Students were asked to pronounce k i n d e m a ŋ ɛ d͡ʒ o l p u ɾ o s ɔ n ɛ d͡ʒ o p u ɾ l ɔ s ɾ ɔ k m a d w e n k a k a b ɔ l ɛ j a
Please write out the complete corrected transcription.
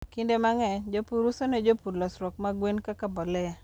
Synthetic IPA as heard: k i n d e m a ŋ ɛ d͡ʒ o p u ɾ u s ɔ n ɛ d͡ʒ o p u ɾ l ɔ s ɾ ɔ k m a ɡ w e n k a k a b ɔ l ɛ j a